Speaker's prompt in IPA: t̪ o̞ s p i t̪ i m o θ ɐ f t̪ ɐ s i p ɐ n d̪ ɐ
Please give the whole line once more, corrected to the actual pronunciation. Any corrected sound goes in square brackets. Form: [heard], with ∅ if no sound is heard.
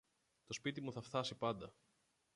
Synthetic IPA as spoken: t̪ o̞ s p i t̪ i m [u] θ ɐ f t̪ ɐ s i p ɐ n d̪ ɐ